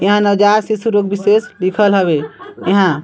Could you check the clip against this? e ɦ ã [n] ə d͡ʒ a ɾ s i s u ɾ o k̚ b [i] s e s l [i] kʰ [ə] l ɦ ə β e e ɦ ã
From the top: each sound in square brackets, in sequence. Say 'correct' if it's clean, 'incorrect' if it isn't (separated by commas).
correct, correct, correct, correct